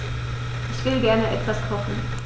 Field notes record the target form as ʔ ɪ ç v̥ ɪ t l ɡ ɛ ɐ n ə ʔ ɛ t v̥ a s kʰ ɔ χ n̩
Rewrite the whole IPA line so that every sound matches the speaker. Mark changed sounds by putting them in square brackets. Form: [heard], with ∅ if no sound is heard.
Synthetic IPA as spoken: ʔ ɪ ç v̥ ɪ [∅] l ɡ ɛ ɐ n ə ʔ ɛ t v̥ a s kʰ ɔ χ n̩